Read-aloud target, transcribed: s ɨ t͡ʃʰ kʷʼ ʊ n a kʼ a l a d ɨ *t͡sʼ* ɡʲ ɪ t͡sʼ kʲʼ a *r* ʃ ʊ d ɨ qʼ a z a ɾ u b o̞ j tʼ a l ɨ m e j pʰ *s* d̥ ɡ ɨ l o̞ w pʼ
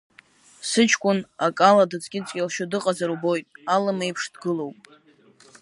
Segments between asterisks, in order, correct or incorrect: correct, incorrect: l, incorrect: ʂ

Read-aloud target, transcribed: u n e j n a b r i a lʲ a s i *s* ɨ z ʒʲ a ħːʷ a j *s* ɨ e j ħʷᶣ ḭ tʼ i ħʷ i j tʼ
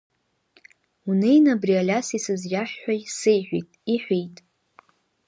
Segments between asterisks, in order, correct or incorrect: correct, correct

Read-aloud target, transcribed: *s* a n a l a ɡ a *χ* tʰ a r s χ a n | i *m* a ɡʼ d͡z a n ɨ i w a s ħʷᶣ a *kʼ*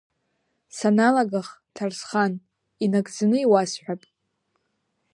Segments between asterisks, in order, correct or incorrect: correct, correct, incorrect: n, incorrect: pʼ

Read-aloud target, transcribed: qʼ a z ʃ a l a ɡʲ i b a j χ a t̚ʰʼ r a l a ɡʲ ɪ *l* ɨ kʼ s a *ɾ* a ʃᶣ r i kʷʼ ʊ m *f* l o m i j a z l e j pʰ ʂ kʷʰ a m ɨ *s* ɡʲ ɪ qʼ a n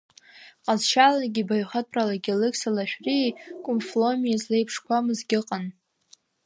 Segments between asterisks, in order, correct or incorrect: correct, incorrect: l, correct, incorrect: z

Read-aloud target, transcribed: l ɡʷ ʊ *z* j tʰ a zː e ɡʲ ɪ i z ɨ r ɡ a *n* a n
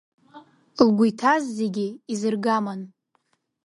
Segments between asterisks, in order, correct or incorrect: incorrect: none, incorrect: m

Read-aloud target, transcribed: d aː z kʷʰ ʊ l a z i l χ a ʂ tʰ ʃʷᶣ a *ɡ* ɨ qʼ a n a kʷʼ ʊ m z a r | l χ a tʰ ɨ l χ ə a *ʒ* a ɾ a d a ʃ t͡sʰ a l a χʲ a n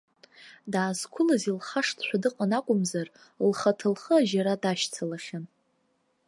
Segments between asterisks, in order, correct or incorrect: incorrect: d, correct

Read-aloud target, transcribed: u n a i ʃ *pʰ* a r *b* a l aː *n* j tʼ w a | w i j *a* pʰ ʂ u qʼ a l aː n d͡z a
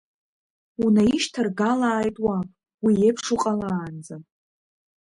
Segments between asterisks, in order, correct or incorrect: incorrect: tʰ, incorrect: ɡ, incorrect: none, incorrect: e

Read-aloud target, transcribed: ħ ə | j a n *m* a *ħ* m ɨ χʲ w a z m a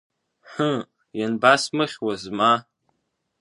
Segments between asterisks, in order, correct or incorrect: incorrect: b, incorrect: s

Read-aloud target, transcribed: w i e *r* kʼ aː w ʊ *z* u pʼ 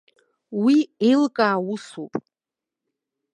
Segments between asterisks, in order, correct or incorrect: incorrect: l, incorrect: s

